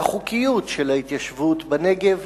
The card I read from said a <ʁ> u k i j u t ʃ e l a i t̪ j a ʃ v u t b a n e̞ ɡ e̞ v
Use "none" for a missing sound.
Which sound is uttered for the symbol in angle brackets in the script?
χ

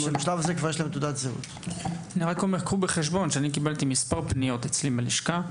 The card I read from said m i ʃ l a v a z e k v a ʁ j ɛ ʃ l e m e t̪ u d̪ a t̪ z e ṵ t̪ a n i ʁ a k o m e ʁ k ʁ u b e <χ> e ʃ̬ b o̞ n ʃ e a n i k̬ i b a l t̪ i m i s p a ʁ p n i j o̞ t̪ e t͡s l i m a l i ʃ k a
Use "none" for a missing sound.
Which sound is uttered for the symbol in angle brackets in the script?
χ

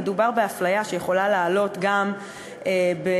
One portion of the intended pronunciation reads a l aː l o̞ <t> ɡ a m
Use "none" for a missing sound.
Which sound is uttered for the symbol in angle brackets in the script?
t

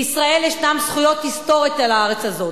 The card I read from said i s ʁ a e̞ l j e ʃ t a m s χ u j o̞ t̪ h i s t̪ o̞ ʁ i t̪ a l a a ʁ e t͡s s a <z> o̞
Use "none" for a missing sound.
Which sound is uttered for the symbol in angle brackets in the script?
z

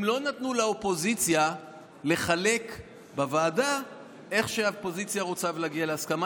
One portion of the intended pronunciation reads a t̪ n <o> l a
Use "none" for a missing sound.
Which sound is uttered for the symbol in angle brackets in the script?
u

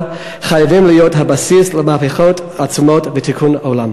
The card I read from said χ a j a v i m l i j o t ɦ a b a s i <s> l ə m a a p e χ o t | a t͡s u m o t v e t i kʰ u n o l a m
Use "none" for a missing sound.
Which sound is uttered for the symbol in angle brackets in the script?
s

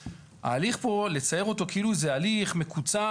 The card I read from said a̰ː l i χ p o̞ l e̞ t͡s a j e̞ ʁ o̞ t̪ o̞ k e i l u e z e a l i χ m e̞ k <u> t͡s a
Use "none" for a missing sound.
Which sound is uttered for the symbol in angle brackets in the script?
u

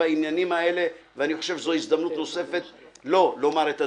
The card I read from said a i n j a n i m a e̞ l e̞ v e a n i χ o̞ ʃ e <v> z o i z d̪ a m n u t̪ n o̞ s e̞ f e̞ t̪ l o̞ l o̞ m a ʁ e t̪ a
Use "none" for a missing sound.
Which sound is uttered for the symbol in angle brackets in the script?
v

